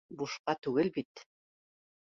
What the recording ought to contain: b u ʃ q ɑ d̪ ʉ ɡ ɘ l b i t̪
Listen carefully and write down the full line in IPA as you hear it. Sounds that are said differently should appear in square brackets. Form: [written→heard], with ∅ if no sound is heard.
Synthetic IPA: b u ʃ q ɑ [d̪→t̪] ʉ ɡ ɘ l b i t̪